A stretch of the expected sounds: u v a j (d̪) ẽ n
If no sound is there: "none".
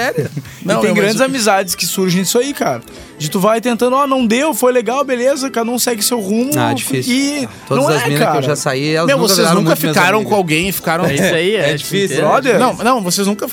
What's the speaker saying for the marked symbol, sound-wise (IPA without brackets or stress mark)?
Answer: t̪